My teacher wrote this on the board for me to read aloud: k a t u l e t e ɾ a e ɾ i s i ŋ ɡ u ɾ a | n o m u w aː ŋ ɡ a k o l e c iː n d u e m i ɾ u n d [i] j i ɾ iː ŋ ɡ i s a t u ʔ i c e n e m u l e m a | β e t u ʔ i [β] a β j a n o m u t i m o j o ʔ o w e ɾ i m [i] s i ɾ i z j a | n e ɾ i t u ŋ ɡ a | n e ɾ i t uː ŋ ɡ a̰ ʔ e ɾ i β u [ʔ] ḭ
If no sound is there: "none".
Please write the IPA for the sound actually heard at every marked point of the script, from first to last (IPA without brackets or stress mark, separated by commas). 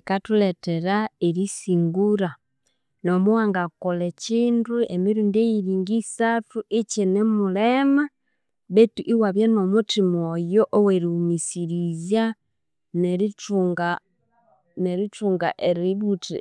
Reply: e, w, i, t